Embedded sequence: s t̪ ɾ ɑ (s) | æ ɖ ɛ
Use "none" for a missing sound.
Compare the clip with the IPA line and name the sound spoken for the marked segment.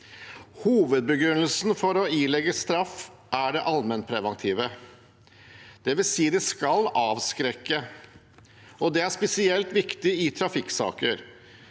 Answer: f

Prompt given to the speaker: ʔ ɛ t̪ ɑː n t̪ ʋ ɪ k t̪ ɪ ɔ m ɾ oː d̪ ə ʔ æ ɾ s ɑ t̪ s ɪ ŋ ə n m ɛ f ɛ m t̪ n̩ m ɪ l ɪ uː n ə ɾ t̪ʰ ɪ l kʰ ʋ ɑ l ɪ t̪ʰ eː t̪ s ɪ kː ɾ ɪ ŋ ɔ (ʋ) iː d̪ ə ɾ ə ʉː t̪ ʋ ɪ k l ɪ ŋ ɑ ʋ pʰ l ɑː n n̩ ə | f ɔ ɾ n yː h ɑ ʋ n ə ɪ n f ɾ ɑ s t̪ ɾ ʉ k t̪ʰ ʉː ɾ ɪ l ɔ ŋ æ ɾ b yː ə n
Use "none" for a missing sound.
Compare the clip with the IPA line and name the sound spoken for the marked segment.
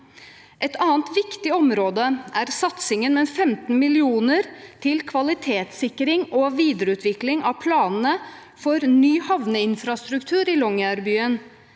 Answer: ʋ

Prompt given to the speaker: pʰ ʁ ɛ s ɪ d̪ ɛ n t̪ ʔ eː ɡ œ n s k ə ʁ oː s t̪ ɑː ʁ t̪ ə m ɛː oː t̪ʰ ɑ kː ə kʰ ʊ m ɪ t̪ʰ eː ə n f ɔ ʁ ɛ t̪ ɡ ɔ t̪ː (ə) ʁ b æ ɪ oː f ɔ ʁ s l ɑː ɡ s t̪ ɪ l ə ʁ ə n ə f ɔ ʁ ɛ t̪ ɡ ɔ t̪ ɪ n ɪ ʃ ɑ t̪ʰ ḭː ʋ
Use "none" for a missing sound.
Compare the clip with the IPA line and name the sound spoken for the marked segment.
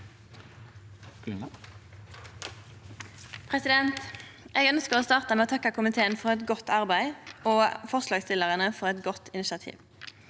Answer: ɑ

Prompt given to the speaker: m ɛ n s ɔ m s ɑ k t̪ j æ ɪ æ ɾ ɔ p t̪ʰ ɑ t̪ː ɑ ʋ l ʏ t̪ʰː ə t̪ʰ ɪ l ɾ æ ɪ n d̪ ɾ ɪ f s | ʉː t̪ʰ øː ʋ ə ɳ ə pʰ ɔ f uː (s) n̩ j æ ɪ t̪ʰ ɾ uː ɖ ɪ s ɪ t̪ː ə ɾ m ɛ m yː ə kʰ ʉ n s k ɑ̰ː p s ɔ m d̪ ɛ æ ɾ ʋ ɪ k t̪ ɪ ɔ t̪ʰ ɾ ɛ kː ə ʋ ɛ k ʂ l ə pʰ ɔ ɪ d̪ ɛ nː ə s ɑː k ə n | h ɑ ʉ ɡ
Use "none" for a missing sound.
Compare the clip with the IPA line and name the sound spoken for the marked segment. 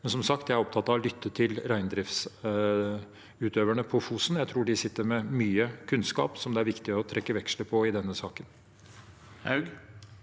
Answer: s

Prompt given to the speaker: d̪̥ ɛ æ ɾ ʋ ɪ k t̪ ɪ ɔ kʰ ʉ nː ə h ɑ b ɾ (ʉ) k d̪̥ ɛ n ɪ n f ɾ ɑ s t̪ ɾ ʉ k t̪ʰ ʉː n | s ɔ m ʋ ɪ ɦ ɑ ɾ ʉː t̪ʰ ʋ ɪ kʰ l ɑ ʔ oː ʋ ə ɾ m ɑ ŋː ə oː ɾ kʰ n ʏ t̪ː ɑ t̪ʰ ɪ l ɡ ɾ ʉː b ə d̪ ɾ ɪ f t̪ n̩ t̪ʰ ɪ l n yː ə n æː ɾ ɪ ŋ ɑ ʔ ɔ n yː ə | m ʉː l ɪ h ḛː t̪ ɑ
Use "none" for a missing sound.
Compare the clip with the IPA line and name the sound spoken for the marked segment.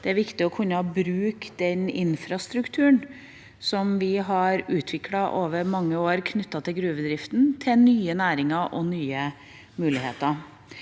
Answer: ʉː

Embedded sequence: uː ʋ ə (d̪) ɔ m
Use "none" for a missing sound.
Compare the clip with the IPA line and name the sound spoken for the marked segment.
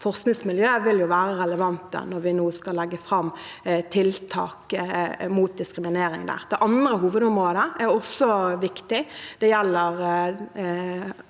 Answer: d̪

